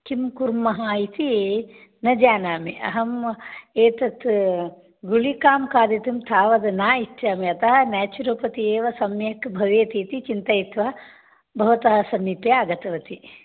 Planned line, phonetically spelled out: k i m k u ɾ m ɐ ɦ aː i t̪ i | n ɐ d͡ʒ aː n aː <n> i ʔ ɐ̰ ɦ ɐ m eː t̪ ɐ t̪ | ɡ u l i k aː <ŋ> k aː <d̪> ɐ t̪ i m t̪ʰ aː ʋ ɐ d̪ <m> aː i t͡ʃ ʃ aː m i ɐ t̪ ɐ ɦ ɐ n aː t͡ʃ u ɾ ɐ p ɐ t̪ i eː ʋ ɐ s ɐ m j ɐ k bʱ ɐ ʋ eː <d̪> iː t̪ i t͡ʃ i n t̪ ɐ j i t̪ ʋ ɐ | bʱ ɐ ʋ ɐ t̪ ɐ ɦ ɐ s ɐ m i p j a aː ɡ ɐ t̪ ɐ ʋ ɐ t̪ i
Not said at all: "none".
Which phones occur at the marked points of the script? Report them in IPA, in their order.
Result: m, m, d̪, n, t̪

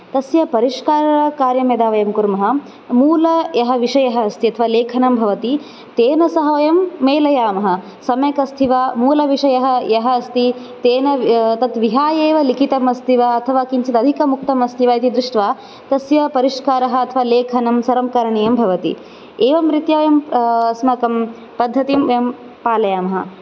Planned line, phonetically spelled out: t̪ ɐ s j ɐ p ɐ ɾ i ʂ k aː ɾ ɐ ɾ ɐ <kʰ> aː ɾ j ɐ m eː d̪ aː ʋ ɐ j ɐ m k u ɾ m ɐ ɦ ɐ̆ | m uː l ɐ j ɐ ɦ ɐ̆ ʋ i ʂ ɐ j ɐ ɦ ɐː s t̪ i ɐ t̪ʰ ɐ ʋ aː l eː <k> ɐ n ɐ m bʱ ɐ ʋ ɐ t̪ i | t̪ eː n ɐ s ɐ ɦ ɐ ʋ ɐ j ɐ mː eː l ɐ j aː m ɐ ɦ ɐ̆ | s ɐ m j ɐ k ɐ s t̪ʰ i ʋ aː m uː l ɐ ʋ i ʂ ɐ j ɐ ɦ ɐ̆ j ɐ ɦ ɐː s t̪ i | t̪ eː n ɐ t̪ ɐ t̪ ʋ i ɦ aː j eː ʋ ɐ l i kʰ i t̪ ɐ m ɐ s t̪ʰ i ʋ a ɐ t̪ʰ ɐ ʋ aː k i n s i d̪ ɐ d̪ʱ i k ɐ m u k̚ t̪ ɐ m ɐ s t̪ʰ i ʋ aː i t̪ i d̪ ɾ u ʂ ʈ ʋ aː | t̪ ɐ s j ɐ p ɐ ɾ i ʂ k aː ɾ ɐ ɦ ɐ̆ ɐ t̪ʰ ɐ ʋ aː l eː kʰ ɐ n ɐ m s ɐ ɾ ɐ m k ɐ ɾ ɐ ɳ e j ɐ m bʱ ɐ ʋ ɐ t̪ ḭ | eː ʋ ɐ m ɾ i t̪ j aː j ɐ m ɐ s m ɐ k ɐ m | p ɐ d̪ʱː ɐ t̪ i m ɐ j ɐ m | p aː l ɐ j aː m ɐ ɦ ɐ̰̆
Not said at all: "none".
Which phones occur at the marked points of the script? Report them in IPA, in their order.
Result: k, kʰ

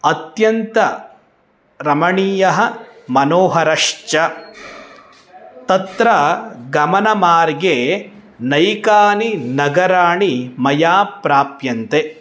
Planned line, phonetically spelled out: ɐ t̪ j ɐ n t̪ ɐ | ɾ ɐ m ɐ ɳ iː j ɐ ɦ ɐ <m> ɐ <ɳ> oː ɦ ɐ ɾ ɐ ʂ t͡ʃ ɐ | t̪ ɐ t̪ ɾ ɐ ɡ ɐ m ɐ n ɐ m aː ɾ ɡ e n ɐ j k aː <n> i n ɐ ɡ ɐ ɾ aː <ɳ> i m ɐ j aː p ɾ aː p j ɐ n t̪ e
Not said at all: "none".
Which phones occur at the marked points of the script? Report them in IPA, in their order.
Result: m, n, n, ɳ

